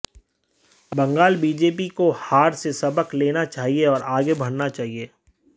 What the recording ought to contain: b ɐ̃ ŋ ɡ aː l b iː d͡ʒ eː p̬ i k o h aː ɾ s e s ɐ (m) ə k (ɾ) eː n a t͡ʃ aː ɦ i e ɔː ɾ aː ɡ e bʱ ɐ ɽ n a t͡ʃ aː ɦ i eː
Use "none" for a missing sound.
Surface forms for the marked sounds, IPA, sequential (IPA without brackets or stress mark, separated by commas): b, l